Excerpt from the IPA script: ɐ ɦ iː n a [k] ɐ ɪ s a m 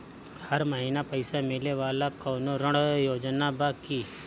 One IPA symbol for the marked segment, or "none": p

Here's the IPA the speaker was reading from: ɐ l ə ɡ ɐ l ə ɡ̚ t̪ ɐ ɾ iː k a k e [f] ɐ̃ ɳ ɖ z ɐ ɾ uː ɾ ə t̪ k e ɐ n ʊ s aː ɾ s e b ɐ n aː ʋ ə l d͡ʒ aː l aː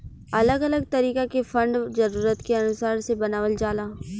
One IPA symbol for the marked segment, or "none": f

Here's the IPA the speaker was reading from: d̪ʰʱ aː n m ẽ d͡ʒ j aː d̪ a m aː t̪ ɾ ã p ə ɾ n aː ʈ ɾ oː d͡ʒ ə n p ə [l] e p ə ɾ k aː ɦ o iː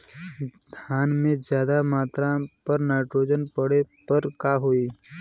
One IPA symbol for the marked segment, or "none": ɽ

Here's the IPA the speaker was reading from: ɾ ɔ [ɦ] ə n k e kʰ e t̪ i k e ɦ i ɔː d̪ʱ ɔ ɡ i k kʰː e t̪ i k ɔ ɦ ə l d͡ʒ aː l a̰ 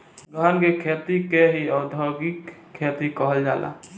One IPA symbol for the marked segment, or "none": ɦ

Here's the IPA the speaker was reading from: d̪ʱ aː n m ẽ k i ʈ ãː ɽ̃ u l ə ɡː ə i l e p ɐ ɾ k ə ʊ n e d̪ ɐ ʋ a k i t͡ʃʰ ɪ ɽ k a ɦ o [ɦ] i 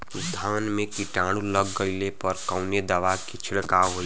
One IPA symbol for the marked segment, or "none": none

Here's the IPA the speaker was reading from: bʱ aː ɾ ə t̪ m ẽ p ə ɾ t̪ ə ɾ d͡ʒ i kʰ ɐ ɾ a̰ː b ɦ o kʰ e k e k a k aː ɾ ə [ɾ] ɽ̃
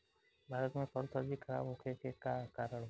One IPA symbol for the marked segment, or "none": none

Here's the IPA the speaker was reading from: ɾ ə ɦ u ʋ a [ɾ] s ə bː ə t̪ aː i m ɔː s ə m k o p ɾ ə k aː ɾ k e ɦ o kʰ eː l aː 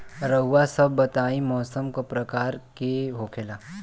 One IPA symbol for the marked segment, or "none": none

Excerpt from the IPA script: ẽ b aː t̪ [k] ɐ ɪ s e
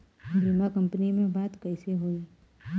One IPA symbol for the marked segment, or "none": k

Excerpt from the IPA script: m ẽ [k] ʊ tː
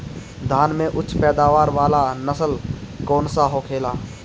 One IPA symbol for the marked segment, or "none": ʔ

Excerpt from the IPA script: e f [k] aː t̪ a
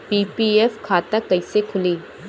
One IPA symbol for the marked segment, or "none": kʰ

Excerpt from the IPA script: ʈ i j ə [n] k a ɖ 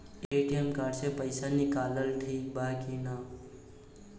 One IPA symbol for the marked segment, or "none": m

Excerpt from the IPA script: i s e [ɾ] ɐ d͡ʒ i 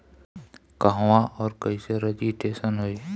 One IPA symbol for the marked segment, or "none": ɾ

